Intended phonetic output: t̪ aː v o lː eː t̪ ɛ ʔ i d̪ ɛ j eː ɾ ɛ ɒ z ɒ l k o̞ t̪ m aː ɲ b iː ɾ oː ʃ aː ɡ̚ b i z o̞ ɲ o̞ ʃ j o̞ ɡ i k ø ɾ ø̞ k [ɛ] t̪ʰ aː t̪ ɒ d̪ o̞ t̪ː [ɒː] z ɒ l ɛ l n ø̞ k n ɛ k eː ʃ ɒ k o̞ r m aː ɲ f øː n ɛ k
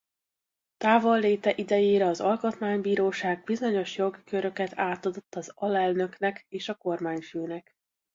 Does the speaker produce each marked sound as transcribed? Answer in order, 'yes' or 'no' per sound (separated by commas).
yes, no